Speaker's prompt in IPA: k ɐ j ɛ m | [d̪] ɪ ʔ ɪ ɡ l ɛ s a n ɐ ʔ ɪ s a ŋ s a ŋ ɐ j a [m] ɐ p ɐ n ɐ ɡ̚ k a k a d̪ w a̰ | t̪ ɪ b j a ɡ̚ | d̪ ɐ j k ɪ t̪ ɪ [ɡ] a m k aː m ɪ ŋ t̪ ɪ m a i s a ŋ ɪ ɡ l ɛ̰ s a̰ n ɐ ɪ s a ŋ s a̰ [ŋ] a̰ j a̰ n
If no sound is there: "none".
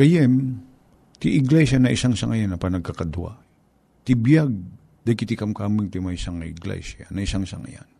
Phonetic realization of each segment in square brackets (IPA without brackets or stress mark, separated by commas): t̪, n, k, ŋ